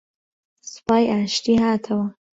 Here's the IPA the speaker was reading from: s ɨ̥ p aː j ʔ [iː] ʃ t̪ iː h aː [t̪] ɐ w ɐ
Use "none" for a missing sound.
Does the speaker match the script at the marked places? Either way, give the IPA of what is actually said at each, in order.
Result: aː, t̪ʰ

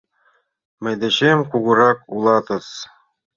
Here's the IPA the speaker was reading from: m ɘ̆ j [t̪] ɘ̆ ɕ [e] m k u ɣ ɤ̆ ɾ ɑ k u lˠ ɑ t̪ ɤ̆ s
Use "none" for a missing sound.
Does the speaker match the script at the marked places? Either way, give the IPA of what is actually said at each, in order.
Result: d̪, e

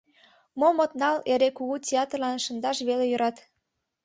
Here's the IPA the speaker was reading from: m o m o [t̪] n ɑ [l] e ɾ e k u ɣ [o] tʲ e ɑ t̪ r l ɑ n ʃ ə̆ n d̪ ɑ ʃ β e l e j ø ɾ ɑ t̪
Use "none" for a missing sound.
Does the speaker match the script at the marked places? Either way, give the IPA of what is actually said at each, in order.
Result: t̪, l, u

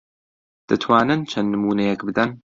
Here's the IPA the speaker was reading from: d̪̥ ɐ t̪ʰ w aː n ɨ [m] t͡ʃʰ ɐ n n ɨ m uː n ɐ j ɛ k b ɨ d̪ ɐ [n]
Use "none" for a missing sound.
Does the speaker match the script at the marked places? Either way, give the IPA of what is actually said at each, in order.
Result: n, n

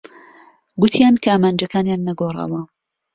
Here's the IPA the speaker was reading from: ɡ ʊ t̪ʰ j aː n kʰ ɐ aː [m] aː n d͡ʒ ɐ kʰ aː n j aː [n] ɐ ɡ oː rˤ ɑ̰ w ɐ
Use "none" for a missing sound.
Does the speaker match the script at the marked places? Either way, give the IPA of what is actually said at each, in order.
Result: m, nː

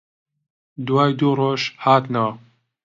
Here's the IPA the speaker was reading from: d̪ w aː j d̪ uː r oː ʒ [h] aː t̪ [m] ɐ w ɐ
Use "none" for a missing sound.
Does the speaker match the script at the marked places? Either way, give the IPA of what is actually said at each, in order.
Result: h, n

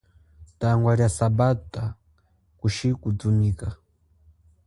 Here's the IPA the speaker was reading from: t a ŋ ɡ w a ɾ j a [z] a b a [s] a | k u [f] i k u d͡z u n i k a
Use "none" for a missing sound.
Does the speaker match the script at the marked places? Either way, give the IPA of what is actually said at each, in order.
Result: s, t, ʃ

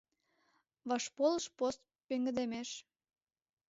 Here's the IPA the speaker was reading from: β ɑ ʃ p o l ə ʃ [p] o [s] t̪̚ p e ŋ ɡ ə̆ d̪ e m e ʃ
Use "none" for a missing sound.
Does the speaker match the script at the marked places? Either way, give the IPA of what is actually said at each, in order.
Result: p, s

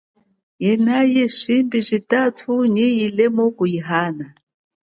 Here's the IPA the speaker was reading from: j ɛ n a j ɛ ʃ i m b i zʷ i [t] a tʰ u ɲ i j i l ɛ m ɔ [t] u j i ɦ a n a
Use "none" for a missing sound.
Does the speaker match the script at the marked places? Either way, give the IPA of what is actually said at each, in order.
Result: t, k

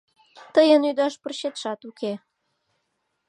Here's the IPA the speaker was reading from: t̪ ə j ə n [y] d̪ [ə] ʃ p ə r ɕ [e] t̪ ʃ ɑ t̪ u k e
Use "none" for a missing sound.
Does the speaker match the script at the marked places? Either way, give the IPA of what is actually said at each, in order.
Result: y, ɑ, e

